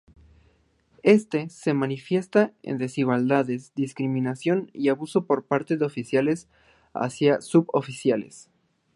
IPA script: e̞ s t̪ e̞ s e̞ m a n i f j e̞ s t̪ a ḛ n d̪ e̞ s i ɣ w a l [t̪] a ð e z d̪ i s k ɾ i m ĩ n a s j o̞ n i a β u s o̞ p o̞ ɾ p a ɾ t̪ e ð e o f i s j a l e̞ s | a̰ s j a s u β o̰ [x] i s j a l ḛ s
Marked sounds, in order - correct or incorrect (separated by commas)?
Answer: incorrect, incorrect